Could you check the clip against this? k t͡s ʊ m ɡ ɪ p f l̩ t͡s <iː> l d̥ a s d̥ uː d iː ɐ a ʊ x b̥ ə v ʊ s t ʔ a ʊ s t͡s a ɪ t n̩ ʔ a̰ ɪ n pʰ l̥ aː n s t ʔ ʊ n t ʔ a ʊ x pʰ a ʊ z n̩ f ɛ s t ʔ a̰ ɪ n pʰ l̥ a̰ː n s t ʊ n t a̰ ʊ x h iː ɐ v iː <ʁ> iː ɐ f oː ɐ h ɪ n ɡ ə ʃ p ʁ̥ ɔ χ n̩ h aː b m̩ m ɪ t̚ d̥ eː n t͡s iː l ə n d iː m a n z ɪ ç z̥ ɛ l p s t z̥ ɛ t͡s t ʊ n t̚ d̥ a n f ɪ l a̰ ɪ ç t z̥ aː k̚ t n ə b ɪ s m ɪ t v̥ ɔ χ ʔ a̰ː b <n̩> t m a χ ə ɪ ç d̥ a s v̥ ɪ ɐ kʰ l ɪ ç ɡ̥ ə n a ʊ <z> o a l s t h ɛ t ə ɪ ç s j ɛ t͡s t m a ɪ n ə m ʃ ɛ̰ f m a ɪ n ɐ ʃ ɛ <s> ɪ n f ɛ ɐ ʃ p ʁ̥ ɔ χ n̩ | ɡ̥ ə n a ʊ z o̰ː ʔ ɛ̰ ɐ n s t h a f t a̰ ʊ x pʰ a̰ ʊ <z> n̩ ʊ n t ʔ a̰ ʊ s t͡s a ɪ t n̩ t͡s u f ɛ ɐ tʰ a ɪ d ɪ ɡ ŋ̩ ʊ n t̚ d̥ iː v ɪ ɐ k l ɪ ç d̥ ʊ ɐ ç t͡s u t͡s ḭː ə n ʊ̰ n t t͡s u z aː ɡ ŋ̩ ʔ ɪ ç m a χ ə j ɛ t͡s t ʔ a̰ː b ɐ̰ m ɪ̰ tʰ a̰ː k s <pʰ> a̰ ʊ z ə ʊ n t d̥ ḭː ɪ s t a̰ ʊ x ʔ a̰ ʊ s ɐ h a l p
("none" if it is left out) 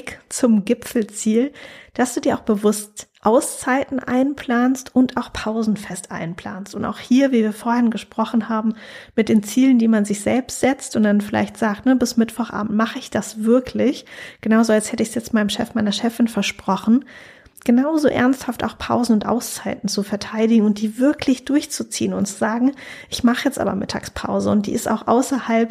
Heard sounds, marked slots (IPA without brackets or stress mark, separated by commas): iː, v, m̩, z, f, z, pʰ